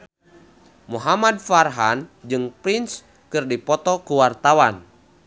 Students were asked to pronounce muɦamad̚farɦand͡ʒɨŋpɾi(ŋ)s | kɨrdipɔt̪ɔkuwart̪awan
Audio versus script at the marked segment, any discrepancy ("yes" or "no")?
yes